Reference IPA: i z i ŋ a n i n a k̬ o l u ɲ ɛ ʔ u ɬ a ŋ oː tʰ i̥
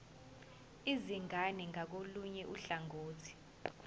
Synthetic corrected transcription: i z i ŋ a n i ŋ a k̬ o l u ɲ ɛ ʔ u ɬ a ŋ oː tʰ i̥